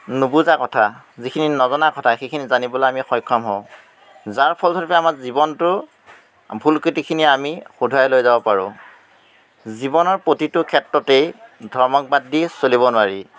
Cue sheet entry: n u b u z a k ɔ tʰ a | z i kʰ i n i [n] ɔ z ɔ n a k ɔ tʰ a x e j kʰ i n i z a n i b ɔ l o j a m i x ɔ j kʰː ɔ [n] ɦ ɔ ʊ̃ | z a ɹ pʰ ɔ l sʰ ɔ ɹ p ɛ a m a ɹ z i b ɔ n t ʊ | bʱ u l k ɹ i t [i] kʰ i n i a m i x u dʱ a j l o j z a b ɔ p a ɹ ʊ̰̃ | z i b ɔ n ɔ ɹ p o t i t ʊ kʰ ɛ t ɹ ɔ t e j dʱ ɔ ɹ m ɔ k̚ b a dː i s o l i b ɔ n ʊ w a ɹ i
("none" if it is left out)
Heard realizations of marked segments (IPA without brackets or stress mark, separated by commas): n, m, i